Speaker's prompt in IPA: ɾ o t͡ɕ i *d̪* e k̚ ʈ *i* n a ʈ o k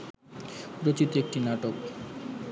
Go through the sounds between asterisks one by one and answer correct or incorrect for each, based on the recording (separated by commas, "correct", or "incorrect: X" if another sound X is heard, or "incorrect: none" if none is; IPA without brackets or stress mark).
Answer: incorrect: t̪, correct